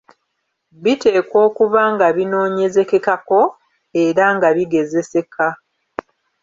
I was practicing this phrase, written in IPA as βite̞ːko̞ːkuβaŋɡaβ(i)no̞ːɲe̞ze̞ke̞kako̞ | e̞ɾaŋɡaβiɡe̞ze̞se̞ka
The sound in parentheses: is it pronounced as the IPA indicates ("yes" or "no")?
yes